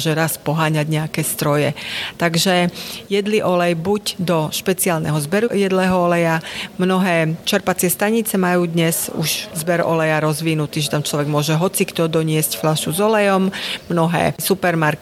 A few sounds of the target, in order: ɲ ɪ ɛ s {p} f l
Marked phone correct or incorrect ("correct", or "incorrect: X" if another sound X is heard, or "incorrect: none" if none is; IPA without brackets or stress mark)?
incorrect: c